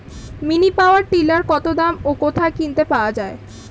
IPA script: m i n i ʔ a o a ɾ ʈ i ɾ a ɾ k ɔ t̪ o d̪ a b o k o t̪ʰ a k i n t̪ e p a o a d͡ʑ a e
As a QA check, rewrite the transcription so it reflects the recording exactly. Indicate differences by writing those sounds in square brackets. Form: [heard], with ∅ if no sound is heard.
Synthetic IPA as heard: m i n i [p] a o a ɾ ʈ i [l] a ɾ k ɔ t̪ o d̪ a [m] o k o t̪ʰ a k i n t̪ e p a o a d͡ʑ a e